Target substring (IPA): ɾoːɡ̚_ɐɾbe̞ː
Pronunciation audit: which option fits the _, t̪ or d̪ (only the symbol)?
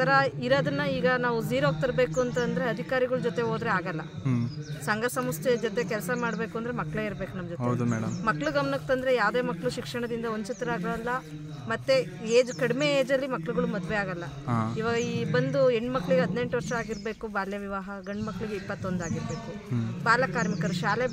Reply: t̪